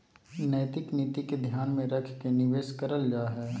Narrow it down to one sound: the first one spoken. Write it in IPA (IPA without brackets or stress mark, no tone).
n